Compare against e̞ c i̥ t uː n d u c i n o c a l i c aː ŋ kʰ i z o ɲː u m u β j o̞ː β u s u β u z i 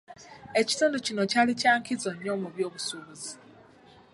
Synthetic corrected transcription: e̞ c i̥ t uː n d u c i n o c a l i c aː ŋ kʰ i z o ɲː o m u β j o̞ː β u s u β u z i